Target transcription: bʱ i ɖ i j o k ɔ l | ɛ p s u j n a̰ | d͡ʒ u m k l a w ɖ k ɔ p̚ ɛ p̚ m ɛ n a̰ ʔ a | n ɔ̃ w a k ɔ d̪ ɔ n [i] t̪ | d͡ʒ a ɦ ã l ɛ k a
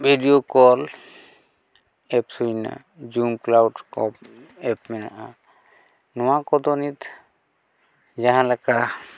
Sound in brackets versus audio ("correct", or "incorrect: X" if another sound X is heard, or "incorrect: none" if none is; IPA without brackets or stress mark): correct